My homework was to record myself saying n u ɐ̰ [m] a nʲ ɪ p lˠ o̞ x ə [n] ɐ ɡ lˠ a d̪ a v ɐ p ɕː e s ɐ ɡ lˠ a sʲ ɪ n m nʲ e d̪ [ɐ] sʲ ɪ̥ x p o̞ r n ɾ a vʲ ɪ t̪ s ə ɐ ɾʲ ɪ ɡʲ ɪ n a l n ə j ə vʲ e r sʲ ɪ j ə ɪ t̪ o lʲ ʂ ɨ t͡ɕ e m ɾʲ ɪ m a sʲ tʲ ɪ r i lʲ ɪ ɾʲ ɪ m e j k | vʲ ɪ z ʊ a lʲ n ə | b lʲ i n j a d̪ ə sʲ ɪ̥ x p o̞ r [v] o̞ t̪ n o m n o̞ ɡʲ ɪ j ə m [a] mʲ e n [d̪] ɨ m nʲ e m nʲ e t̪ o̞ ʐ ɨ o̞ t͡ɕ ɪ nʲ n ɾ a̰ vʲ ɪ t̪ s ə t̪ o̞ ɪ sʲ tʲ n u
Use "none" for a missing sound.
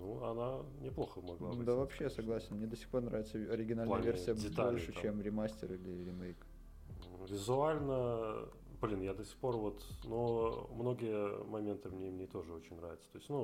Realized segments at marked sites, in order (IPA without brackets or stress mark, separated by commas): n, m, ə, v, ɐ, t̪